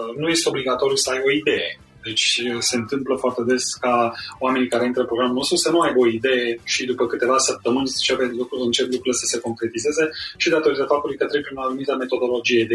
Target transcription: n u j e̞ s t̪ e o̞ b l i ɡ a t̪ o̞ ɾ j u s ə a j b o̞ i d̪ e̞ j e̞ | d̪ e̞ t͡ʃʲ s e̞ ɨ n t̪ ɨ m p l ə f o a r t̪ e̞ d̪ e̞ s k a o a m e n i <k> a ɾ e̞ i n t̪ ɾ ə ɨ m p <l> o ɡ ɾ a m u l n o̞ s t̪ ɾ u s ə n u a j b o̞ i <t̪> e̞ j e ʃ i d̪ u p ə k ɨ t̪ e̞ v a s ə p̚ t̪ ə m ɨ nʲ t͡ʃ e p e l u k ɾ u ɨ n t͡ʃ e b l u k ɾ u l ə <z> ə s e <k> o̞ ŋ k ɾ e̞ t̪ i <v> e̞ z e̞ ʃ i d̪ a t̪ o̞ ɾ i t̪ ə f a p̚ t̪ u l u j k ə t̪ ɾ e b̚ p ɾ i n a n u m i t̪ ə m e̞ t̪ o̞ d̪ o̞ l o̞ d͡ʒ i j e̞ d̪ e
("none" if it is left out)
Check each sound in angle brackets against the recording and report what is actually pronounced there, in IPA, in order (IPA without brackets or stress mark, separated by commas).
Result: k, ɾ, d̪, s, k, z